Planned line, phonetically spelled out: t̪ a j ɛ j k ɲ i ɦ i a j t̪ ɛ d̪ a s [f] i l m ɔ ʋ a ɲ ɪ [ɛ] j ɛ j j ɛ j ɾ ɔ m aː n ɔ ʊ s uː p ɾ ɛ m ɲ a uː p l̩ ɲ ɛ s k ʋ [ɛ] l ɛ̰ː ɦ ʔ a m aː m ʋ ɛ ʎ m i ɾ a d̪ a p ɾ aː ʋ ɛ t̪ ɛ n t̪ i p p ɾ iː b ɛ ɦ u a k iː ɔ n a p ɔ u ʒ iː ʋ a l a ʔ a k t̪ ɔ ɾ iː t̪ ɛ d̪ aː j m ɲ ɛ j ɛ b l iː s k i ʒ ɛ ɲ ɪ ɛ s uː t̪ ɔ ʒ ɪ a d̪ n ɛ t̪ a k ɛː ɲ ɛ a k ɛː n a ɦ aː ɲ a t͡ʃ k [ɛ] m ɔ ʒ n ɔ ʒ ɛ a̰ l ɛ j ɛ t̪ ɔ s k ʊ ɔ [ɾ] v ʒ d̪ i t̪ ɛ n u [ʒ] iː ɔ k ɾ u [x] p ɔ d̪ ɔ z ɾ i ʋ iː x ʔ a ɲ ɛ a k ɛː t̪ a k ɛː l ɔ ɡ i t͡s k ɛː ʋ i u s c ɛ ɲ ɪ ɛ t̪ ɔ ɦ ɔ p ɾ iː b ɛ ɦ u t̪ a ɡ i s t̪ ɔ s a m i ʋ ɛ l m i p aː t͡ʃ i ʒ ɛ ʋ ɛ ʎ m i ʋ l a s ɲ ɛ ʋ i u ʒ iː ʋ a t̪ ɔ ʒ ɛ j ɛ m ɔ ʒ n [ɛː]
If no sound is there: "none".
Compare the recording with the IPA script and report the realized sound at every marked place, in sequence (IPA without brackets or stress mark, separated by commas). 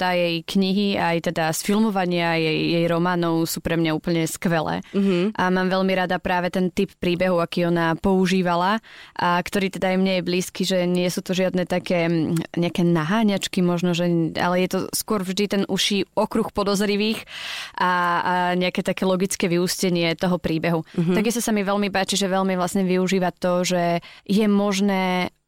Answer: f, a, ɛ, i, ɾ, ʃ, x, ɛː